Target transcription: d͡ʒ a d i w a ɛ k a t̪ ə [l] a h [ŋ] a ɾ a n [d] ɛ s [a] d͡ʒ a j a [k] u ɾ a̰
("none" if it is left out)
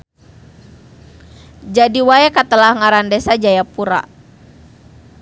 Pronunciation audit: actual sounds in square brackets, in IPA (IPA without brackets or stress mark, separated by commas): l, ŋ, d, a, p